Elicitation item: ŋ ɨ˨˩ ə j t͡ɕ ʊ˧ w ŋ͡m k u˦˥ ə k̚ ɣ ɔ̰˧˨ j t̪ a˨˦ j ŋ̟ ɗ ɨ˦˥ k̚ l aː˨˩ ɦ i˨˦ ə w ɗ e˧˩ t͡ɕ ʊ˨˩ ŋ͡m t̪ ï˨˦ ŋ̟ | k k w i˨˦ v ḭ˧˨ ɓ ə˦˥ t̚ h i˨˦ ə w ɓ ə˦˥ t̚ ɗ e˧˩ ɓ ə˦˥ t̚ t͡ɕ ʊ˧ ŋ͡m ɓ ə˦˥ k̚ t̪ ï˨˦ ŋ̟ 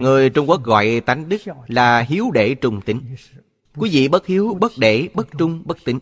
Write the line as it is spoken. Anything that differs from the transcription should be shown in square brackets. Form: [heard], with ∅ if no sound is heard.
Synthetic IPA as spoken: ŋ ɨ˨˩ ə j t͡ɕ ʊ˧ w ŋ͡m k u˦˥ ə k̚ ɣ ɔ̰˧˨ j t̪ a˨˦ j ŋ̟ ɗ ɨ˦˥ k̚ l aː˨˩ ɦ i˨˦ ə w ɗ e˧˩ t͡ɕ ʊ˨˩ ŋ͡m t̪ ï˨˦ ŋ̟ | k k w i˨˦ v ḭ˧˨ ɓ ə˦˥ t̚ h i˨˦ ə w ɓ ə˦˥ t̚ ɗ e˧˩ ɓ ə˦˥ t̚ t͡ɕ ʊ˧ ŋ͡m ɓ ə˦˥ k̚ t̪ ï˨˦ ŋ̟

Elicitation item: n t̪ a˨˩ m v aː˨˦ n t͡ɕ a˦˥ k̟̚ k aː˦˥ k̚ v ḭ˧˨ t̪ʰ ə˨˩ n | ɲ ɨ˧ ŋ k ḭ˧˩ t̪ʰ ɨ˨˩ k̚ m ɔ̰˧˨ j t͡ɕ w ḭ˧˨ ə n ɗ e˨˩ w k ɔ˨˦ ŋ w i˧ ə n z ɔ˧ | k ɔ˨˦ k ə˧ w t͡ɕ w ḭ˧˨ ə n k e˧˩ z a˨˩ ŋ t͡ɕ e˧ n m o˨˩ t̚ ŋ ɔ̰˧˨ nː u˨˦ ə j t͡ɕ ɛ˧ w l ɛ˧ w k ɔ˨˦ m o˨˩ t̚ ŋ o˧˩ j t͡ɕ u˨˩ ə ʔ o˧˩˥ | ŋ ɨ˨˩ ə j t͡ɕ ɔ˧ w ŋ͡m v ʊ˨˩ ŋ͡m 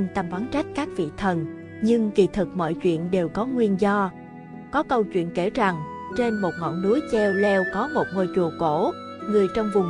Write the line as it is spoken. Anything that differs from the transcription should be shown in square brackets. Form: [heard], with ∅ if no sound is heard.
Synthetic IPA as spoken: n t̪ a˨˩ m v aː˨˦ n t͡ɕ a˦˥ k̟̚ k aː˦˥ k̚ v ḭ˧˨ t̪ʰ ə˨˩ n | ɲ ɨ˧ ŋ k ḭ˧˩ t̪ʰ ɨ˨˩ k̚ m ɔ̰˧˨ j t͡ɕ w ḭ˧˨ ə n ɗ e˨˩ w k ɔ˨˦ ŋ w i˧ ə n z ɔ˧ | k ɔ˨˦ k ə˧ w t͡ɕ w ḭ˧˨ ə n k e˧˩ z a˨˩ ŋ t͡ɕ e˧ n m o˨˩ t̚ ŋ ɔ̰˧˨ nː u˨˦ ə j t͡ɕ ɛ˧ w l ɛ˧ w k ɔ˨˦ m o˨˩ t̚ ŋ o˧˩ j t͡ɕ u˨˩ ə [k] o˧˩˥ | ŋ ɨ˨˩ ə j t͡ɕ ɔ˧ w ŋ͡m v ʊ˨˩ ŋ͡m

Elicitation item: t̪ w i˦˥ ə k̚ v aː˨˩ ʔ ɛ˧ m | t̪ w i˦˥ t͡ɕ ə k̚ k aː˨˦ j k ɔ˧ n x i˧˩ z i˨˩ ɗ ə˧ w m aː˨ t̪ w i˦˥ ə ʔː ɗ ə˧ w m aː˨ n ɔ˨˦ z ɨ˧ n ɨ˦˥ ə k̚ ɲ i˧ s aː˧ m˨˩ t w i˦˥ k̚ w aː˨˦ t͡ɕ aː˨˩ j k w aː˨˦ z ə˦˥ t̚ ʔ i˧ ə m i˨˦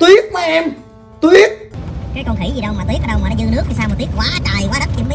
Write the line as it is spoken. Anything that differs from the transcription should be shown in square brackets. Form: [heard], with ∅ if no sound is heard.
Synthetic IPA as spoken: t̪ w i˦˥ ə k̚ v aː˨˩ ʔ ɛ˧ m | t̪ w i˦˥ [∅] ə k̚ k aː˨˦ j k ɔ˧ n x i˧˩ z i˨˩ ɗ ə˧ w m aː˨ t̪ w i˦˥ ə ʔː ɗ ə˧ w m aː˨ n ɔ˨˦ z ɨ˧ n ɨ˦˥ ə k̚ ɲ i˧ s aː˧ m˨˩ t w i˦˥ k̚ w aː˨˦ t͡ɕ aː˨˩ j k w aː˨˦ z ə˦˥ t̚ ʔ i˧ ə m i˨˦

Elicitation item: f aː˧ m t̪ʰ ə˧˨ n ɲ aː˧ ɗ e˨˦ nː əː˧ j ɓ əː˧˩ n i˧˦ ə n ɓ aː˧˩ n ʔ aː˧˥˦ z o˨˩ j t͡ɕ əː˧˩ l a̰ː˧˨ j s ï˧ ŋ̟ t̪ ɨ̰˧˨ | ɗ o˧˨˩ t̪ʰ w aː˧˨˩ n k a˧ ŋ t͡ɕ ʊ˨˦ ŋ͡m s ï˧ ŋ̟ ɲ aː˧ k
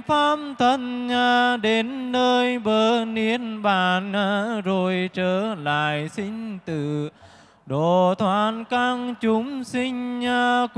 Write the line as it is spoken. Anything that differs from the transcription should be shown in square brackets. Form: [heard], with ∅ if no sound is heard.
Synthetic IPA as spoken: f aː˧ m t̪ʰ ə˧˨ n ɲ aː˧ ɗ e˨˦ nː əː˧ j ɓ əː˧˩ n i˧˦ ə n ɓ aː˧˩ n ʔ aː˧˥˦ z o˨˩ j t͡ɕ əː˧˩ l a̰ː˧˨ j s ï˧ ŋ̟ t̪ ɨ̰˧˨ | ɗ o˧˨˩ t̪ʰ w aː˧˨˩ n k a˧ ŋ t͡ɕ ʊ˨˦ ŋ͡m s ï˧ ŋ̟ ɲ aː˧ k

